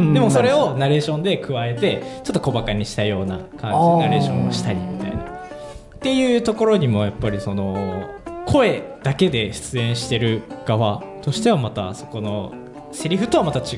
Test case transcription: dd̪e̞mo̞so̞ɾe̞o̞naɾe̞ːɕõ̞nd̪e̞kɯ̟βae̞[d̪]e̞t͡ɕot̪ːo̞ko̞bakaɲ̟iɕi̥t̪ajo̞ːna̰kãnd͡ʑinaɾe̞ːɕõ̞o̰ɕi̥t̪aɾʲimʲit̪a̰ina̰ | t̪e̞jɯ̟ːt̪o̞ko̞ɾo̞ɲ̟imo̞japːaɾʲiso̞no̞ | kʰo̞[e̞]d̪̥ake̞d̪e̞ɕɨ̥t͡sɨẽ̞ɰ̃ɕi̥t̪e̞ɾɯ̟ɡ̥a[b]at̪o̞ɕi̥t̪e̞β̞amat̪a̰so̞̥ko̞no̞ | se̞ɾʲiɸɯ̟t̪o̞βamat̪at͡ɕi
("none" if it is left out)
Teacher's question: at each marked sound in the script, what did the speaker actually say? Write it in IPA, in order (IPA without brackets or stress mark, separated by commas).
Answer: t̪, e̞, β